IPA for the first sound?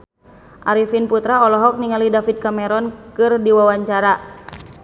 ʔ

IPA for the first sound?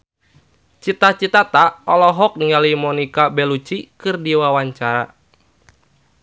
t͡ʃ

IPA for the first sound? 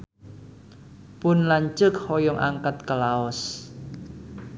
p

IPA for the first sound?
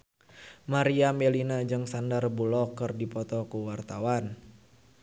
m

